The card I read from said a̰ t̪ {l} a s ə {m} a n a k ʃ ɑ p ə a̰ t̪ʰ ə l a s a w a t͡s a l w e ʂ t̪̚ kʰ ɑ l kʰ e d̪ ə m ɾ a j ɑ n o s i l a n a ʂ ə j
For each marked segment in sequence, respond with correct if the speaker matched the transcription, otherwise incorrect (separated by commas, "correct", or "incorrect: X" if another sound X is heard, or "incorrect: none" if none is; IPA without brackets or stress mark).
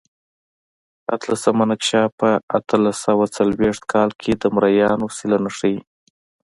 correct, correct